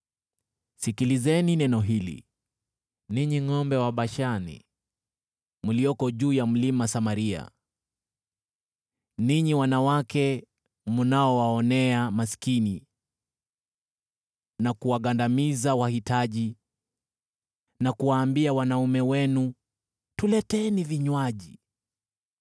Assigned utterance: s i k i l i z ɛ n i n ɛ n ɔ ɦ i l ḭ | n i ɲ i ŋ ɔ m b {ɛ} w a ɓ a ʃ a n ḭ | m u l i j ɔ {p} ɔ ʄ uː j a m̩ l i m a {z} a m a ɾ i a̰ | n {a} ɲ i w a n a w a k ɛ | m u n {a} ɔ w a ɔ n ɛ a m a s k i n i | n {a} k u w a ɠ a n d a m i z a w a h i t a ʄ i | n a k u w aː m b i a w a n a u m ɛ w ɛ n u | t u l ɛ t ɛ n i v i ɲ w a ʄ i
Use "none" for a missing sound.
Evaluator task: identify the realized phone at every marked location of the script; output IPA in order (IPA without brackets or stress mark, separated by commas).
ɛ, k, s, i, a, a